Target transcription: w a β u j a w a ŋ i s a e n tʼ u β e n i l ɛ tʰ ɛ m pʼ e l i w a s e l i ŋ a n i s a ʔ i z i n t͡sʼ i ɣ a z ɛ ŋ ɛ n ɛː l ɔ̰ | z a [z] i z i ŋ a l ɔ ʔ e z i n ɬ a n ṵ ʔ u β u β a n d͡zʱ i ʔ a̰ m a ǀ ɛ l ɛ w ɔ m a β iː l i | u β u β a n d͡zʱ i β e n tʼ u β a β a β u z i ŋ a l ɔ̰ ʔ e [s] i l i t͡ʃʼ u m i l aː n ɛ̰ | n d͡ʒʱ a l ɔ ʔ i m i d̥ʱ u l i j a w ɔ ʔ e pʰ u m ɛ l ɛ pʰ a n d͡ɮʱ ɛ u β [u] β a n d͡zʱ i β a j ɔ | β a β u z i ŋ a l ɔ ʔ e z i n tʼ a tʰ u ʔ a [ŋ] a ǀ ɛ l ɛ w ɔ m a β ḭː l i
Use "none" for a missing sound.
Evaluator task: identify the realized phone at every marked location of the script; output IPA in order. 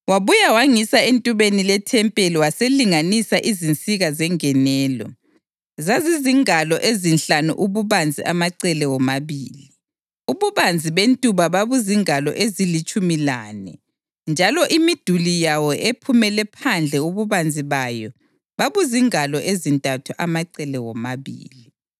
z, z, u, m

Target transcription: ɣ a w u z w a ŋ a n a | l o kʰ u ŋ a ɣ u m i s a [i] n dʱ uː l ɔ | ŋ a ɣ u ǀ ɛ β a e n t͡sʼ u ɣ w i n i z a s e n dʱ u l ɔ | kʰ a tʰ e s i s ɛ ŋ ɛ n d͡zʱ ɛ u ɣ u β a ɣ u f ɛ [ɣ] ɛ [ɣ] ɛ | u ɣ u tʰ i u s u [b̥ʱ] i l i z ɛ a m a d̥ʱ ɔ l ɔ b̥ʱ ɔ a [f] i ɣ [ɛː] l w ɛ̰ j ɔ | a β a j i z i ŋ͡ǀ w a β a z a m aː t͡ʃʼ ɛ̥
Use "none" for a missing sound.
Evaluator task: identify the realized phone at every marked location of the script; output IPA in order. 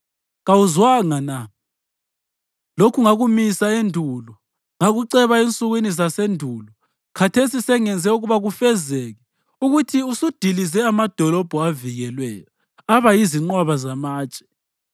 e, z, ɣ, d̥ʱ, v, ɛ

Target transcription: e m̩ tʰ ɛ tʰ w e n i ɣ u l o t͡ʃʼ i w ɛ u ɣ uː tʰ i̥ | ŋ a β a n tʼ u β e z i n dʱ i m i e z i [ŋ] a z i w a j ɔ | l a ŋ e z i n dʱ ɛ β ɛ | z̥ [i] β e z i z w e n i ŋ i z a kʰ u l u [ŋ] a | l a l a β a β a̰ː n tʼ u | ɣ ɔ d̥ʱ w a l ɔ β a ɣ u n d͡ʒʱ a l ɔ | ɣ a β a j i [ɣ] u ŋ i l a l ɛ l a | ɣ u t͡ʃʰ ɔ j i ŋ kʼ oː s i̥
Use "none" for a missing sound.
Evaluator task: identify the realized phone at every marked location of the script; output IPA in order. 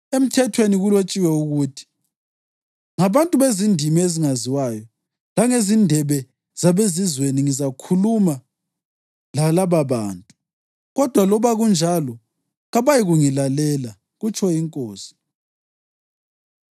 ŋ, a, m, ɣ

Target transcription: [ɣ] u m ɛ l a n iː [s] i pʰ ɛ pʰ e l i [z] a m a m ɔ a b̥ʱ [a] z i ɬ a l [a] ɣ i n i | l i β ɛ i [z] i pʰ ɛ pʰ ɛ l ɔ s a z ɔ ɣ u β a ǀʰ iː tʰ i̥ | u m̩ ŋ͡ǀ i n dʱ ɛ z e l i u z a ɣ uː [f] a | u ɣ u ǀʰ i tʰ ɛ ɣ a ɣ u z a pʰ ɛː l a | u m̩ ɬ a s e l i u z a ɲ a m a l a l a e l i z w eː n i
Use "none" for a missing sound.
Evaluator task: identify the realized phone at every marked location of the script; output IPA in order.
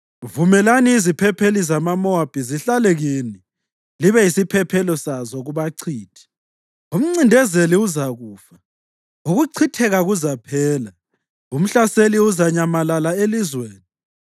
v, z, z, i, ɛ, s, f

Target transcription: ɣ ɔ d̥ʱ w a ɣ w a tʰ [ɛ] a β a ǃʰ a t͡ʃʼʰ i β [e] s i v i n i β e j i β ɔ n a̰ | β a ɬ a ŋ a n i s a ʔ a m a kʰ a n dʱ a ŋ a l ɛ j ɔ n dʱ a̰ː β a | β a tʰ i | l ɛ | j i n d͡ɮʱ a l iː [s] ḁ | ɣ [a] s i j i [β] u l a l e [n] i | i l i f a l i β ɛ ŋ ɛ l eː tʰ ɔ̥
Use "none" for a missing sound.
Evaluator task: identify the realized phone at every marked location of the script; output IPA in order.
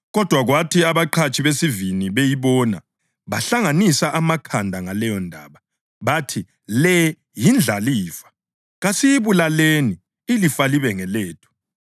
i, e, f, a, β, n

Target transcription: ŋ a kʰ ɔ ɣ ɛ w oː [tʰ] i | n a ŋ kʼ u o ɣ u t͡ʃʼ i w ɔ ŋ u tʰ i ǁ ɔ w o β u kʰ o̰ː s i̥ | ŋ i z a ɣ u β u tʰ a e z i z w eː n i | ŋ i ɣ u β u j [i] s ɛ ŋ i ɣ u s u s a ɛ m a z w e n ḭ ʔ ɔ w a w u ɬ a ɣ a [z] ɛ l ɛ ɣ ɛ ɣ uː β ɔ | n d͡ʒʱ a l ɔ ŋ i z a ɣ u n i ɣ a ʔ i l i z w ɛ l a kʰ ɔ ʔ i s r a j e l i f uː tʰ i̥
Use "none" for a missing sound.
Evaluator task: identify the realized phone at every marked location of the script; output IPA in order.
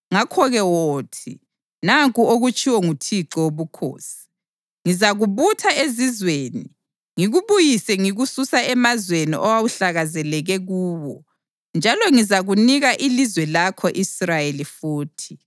tʰ, i, z

